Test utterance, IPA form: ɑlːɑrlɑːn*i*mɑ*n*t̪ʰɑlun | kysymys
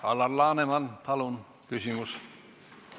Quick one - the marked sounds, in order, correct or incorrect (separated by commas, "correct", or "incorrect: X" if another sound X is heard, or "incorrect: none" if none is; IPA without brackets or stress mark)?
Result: incorrect: e, correct